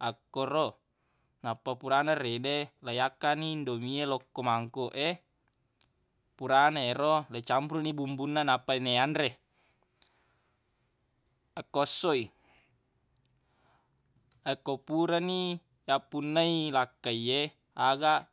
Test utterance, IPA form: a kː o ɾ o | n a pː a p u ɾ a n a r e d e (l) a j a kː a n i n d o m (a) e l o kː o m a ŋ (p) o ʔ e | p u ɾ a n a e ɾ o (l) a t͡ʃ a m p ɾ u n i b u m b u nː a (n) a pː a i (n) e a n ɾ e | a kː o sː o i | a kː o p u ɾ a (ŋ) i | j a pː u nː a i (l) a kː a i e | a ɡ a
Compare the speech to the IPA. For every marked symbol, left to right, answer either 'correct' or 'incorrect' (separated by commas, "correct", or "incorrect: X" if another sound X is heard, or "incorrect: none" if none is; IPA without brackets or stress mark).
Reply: correct, incorrect: i, incorrect: k, correct, correct, correct, incorrect: n, correct